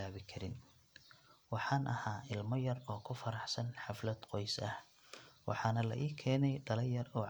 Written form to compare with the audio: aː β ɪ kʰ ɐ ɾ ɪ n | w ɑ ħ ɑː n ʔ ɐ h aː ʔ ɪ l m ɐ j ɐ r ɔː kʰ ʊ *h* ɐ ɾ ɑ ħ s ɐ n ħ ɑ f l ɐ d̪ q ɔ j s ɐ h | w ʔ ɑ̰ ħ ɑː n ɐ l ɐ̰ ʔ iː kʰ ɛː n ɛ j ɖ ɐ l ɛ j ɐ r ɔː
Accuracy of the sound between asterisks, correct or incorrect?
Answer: incorrect